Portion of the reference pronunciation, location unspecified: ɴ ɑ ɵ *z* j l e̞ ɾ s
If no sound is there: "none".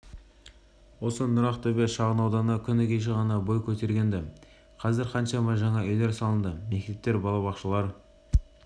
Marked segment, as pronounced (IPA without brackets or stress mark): none